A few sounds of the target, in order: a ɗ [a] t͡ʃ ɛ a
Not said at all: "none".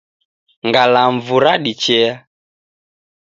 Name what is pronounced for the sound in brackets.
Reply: i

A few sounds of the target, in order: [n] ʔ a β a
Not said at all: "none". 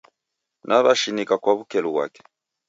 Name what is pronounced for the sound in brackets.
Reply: n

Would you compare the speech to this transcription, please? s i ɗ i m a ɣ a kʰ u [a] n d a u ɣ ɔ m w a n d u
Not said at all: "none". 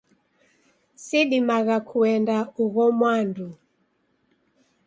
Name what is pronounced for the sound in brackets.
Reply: ɛ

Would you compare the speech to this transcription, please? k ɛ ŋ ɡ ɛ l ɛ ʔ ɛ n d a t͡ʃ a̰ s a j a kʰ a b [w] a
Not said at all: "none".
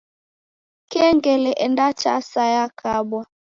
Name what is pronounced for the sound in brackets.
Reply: w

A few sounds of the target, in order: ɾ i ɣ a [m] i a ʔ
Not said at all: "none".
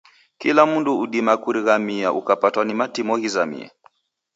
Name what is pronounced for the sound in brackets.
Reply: m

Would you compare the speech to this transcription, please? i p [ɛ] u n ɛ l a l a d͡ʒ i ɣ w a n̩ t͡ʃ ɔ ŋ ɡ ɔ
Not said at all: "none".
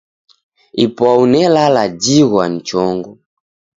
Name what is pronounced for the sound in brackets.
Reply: a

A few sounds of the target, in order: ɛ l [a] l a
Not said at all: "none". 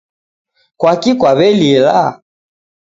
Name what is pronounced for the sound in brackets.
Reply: i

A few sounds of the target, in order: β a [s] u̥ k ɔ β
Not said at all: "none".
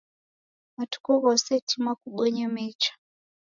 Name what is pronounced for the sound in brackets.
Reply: t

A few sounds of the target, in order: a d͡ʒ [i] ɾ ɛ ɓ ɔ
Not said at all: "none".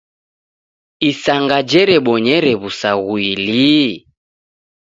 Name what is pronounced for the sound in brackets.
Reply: ɛ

